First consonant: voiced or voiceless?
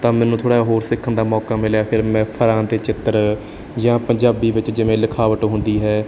voiceless